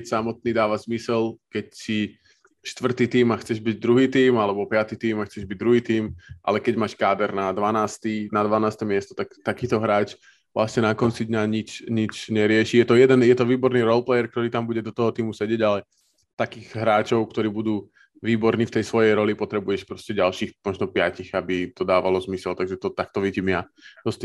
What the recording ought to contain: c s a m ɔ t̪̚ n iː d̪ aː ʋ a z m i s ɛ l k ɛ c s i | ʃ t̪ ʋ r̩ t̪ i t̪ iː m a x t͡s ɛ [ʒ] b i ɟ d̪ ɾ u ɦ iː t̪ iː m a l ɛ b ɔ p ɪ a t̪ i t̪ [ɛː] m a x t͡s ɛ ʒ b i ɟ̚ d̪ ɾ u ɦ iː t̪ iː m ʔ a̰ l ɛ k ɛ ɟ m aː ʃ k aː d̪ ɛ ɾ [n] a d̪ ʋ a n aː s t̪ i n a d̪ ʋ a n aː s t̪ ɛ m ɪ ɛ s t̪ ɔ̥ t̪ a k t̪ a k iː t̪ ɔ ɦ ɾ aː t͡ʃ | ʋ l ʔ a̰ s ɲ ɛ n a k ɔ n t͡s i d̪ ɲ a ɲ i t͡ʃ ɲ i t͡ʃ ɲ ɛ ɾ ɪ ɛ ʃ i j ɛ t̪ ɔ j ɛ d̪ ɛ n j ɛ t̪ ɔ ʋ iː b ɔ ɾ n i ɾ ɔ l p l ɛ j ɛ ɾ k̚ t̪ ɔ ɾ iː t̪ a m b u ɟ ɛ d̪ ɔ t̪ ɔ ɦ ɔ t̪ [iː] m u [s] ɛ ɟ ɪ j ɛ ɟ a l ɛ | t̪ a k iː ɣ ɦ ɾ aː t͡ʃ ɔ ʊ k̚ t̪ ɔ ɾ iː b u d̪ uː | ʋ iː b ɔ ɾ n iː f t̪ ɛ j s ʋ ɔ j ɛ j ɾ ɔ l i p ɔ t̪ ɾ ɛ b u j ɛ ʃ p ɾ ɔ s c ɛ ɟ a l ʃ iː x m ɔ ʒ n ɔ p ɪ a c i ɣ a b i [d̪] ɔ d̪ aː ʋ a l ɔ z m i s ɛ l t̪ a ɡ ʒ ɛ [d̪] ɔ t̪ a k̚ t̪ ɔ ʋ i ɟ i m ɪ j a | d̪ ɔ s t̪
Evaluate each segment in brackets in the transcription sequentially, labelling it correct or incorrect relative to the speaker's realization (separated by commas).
correct, incorrect, correct, correct, correct, incorrect, incorrect